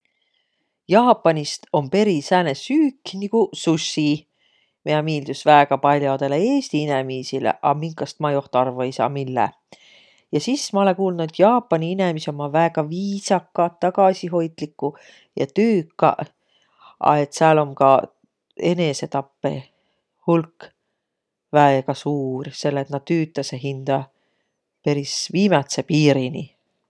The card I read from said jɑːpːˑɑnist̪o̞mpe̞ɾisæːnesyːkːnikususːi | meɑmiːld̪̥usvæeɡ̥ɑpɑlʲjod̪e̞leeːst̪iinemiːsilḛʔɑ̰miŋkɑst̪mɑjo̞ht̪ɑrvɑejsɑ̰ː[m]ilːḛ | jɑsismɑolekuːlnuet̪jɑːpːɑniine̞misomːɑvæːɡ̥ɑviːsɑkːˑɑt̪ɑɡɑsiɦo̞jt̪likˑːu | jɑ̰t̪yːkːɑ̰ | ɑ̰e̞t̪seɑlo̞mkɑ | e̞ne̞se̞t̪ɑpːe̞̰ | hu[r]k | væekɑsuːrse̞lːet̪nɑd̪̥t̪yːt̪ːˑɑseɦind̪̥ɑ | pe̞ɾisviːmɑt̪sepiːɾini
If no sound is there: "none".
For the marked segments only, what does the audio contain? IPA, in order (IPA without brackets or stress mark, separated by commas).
m, l